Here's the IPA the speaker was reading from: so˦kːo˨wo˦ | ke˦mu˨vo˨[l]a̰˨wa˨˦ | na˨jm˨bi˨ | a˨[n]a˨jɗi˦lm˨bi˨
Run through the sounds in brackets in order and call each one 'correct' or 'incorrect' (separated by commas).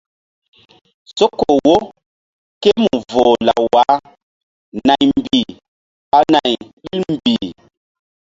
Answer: correct, correct